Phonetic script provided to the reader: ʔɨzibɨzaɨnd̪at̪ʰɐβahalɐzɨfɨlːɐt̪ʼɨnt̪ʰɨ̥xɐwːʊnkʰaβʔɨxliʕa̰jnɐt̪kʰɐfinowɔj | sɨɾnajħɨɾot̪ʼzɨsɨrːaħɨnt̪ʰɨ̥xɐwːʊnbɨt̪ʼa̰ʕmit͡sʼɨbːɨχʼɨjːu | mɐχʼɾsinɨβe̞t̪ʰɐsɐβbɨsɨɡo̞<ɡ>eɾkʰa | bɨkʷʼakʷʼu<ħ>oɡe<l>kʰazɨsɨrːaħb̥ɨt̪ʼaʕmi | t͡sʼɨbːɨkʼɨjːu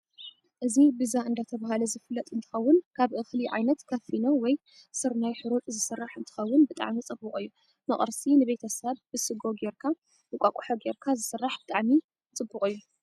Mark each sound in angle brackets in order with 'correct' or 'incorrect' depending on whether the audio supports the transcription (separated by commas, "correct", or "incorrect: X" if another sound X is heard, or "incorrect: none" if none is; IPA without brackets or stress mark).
correct, correct, incorrect: ɾ